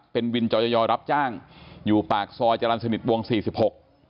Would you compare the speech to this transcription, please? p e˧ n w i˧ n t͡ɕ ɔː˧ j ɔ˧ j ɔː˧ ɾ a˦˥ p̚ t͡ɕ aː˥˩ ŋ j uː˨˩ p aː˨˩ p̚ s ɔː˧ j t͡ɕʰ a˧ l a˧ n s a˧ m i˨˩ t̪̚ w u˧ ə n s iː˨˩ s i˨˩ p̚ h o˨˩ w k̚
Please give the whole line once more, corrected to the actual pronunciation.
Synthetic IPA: p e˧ n w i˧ n t͡ɕ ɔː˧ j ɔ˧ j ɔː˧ ɾ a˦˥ p̚ t͡ɕ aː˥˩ ŋ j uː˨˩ p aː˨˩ k̚ s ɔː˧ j t͡ɕ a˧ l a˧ n s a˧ n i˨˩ t̪̚ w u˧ ə ŋ s iː˨˩ s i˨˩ p̚ h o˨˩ k̚